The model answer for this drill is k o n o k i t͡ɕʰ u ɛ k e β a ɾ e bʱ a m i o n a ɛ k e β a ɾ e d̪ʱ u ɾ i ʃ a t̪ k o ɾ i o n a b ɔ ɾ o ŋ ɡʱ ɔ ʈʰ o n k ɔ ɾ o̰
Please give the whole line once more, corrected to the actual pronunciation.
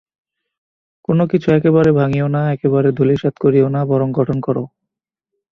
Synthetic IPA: k o n o k i t͡ɕʰ u ɛ k e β a ɾ e bʱ a ŋ i o n a ɛ k e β a ɾ e d̪ʱ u l i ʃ a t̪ k o ɾ i o n a b ɔ ɾ o ŋ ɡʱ ɔ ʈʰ o n k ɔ ɾ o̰